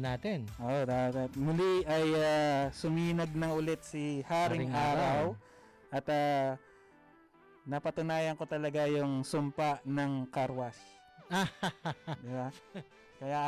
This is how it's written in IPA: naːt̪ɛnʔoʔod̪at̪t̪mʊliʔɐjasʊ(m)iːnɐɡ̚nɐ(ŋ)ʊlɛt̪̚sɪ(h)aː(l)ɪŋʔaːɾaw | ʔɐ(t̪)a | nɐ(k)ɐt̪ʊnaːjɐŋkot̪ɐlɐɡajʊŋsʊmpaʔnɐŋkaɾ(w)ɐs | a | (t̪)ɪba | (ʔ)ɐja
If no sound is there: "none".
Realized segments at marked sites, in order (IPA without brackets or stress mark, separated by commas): m, ŋ, h, ɾ, t̪, p, w, d̪, k